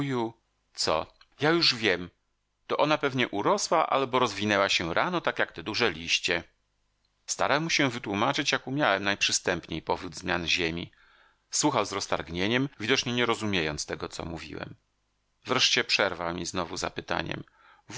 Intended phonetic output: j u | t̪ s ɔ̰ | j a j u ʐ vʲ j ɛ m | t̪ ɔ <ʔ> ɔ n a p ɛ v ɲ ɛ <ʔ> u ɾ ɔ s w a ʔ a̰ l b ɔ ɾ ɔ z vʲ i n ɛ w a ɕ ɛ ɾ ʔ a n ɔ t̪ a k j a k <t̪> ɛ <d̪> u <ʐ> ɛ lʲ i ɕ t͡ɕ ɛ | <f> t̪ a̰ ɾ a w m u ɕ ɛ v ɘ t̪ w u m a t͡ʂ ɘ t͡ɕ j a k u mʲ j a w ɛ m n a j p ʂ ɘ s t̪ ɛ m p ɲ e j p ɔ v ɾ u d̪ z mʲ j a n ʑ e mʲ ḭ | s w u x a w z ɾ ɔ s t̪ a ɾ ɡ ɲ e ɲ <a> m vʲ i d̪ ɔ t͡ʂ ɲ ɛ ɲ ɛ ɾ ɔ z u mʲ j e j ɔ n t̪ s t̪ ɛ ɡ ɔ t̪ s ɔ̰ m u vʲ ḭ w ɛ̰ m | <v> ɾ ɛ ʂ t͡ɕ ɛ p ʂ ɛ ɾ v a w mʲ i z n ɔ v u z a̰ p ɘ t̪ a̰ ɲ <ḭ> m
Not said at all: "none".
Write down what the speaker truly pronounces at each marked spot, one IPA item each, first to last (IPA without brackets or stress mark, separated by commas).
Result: ʔ, ʔ, t̪, d̪, ʐ, s, ɛ, v, ɛ̰